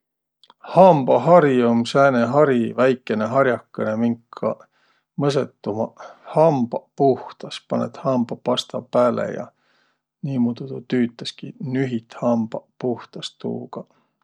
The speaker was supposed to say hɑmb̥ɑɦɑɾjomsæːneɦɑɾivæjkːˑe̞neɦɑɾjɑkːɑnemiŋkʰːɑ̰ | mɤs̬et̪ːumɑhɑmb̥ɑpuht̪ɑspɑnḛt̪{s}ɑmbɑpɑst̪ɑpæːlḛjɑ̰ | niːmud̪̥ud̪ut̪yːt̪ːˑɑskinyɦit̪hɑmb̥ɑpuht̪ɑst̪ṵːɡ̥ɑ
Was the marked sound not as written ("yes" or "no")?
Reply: yes